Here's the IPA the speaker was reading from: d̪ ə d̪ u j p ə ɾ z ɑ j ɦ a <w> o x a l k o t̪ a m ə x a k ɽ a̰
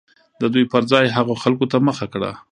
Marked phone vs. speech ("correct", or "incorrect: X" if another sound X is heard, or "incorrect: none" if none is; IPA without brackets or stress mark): incorrect: ɣ